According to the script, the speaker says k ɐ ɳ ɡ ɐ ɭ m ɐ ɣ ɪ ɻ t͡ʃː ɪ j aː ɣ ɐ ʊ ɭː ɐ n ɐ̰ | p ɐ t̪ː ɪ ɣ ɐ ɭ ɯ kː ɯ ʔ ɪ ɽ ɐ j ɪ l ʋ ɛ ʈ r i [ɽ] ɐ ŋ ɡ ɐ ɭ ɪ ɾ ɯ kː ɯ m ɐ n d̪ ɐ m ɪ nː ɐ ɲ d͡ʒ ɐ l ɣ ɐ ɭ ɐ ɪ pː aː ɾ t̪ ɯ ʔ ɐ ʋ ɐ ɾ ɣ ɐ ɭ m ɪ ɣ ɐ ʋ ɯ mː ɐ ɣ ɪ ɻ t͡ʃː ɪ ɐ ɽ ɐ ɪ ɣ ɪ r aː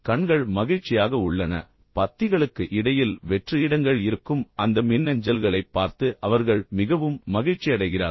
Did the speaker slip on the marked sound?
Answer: no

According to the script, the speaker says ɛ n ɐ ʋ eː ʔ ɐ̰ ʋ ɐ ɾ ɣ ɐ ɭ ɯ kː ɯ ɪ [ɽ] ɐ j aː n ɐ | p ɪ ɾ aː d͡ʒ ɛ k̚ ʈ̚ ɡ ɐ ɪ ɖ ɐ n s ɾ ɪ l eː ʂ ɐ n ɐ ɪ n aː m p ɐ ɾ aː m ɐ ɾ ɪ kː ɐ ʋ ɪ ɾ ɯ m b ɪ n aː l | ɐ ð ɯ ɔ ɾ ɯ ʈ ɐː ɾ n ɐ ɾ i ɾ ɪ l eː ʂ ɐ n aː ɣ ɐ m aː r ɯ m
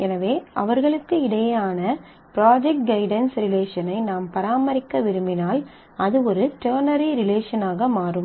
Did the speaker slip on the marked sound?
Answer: no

